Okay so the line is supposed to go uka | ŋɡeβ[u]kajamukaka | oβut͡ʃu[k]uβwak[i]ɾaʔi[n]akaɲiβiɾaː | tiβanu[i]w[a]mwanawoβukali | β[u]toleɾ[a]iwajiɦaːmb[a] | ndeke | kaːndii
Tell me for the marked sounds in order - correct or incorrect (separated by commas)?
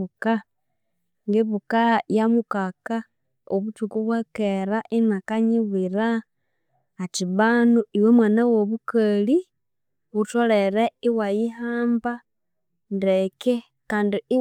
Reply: correct, correct, incorrect, correct, correct, incorrect, correct, incorrect, correct